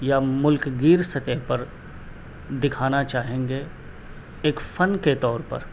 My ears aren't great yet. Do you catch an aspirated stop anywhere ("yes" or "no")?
yes